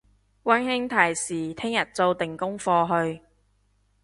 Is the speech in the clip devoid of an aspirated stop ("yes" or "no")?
no